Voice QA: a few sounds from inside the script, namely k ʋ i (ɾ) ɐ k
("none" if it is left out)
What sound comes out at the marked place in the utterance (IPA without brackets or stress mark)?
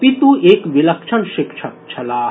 l